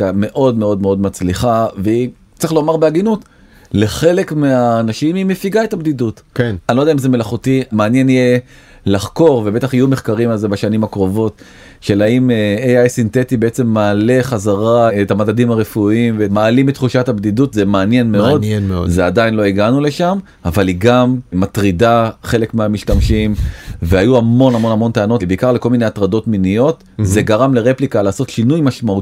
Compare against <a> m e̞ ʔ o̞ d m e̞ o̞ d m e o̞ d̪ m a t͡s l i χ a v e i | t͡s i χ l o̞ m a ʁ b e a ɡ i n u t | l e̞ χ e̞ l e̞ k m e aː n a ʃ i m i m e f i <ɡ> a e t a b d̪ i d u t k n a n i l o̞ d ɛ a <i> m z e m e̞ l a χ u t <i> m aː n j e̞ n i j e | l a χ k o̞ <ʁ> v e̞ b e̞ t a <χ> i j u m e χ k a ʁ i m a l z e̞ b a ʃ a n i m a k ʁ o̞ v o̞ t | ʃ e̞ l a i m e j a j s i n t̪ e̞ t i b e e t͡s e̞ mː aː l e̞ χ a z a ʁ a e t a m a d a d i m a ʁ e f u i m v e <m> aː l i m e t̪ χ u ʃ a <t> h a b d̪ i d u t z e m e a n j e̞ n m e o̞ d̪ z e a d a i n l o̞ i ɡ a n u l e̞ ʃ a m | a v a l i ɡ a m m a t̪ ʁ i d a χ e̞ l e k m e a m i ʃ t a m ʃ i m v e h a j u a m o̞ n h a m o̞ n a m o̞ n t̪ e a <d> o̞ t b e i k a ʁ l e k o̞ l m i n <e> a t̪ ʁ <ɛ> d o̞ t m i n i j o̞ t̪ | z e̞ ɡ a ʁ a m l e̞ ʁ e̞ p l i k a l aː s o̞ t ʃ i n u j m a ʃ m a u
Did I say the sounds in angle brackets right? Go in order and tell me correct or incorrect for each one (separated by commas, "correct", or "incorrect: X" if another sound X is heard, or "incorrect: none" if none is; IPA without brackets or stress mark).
correct, correct, correct, correct, correct, correct, correct, correct, incorrect: n, correct, incorrect: a